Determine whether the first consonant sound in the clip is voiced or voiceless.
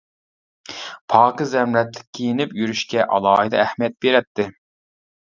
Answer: voiceless